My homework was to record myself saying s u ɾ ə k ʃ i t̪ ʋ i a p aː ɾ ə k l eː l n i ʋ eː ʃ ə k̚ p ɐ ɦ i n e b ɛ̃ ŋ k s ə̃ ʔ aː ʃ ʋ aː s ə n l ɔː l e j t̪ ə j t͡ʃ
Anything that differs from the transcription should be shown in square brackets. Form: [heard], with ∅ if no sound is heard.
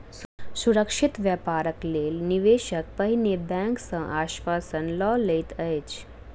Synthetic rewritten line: s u ɾ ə k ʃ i t̪ ʋ [j] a p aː ɾ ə k l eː l n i ʋ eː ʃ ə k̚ p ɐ ɦ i n e b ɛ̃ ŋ k s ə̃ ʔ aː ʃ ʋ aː s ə n l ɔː l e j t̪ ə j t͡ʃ